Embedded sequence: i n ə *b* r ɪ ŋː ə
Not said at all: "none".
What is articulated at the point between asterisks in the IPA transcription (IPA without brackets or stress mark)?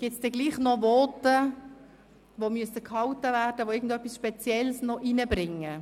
b